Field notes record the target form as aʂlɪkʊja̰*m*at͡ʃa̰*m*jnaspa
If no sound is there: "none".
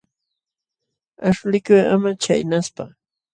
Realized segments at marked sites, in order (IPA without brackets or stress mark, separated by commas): m, none